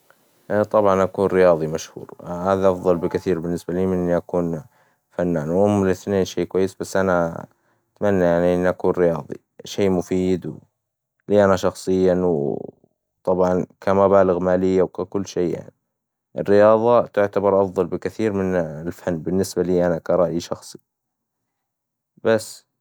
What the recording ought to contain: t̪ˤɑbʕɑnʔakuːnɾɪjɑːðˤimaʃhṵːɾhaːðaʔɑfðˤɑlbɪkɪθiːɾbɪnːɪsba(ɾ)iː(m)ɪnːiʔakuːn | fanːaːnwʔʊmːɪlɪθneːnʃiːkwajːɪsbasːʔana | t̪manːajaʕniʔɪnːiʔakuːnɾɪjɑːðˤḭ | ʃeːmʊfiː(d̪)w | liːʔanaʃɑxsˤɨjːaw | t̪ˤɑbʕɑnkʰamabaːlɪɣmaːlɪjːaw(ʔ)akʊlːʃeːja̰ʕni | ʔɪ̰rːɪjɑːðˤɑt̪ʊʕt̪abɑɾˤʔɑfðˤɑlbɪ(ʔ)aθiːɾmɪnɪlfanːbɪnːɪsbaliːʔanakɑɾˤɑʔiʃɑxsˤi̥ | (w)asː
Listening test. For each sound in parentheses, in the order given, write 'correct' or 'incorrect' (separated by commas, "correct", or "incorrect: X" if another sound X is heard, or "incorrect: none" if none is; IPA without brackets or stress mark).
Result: incorrect: l, correct, correct, incorrect: k, incorrect: k, incorrect: b